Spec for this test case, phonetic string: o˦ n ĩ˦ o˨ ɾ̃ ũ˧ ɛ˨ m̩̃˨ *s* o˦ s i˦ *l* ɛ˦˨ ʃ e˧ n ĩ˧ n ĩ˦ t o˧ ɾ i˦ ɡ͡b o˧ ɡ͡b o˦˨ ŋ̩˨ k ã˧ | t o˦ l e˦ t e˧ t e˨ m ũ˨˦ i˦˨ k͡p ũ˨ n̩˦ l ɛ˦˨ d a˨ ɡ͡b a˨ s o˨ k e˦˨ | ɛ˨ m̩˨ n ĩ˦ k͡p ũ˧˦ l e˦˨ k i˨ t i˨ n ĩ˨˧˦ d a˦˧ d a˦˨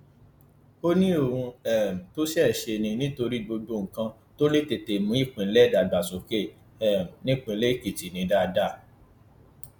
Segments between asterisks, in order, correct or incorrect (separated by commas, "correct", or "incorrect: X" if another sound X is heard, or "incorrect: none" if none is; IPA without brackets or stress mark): incorrect: t, incorrect: none